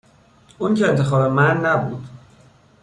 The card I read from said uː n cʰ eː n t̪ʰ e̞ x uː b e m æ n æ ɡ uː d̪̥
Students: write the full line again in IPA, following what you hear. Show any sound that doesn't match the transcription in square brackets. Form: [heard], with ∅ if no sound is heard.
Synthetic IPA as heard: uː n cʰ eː n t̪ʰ e̞ x [ɒː] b e m æ [nː] æ [b] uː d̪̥

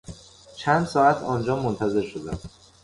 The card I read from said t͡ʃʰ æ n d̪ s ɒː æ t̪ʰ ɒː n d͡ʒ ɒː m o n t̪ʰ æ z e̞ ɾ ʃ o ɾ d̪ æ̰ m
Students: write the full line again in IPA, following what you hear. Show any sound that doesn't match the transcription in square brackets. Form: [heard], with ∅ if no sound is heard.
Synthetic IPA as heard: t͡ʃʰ æ n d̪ s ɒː æ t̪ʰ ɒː n d͡ʒ ɒː m o n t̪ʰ æ z e̞ ɾ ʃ o [∅] d̪ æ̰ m

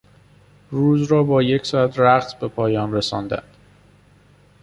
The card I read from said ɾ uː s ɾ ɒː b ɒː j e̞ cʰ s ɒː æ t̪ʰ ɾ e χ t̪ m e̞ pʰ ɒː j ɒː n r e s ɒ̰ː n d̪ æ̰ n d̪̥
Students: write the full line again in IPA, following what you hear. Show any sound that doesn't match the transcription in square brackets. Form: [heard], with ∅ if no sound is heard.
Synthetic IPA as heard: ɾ uː [z] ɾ ɒː b ɒː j e̞ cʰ s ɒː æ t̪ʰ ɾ [æ] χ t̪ [b] e̞ pʰ ɒː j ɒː n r e s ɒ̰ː n d̪ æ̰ n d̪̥

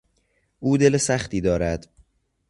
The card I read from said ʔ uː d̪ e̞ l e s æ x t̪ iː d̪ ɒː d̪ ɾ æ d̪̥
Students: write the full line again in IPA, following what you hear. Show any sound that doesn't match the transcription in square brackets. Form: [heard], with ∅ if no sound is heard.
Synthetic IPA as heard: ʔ uː d̪ e̞ l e s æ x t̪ iː d̪ ɒː [∅] ɾ æ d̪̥

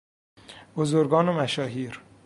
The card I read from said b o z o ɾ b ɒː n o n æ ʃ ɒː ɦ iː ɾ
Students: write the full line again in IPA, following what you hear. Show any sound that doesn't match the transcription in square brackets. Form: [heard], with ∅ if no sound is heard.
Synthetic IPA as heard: b o z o ɾ [ɡ] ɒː n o [m] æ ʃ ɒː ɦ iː ɾ

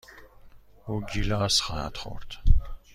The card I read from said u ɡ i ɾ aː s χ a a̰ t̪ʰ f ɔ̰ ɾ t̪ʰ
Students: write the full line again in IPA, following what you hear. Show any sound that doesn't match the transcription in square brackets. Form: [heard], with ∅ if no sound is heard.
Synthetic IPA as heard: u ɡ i [l] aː s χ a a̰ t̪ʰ [χ] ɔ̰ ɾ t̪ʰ

